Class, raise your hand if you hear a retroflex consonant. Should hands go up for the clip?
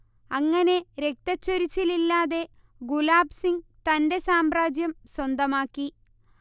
no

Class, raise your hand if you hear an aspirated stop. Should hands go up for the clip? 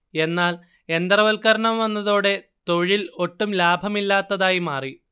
no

